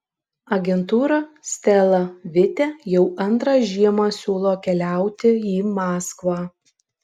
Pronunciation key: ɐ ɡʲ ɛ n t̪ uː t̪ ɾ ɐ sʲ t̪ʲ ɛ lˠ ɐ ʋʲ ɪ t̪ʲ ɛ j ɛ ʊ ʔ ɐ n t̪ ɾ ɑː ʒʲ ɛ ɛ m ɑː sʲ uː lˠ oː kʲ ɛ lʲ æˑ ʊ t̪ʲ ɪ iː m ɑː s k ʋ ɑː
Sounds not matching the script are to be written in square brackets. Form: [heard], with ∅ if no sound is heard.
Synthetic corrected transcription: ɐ ɡʲ ɛ n t̪ uː [∅] ɾ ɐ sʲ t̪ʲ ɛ lˠ ɐ ʋʲ ɪ t̪ʲ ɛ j ɛ ʊ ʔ ɐ n t̪ ɾ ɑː ʒʲ [i] ɛ m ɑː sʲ uː lˠ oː kʲ ɛ lʲ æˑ ʊ t̪ʲ ɪ iː m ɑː s k ʋ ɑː